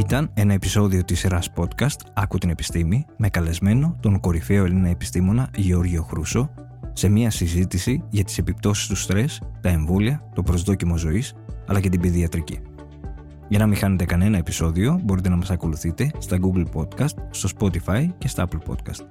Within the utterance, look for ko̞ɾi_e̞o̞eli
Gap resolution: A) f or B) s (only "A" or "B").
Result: A